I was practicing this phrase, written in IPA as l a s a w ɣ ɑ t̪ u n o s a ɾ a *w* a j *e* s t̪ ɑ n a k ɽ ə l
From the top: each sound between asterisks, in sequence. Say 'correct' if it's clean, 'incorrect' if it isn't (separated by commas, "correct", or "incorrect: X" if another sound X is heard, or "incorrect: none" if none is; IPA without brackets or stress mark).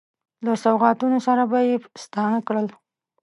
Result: incorrect: b, correct